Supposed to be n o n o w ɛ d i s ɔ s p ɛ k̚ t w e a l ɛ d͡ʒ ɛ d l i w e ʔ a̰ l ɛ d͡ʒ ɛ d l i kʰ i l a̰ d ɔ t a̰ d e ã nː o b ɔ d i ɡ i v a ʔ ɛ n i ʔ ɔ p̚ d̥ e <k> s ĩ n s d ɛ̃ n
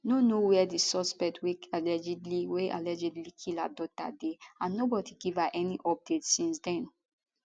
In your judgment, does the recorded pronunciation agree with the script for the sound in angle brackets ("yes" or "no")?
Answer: no